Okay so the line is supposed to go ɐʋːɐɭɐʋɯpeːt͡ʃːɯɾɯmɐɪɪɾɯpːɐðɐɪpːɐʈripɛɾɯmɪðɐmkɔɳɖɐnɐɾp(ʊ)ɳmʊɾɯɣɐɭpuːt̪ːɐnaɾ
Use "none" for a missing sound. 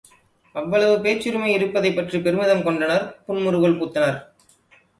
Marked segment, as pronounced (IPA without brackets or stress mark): ʊ